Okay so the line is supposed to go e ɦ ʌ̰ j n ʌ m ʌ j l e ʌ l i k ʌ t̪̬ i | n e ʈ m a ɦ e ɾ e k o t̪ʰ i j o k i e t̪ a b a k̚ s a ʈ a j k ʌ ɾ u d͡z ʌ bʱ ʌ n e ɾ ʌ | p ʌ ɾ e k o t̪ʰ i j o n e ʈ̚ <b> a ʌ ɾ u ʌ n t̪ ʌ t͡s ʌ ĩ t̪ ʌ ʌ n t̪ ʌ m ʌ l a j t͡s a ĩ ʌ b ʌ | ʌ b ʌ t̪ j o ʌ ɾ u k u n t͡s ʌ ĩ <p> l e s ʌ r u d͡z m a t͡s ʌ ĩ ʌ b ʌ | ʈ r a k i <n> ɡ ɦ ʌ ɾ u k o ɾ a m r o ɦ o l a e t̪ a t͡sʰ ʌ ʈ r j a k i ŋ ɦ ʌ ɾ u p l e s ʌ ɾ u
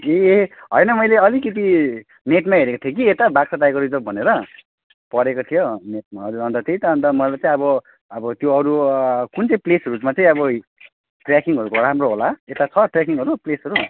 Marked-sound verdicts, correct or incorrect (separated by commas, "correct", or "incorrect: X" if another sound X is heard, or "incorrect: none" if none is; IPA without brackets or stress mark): incorrect: m, correct, incorrect: ŋ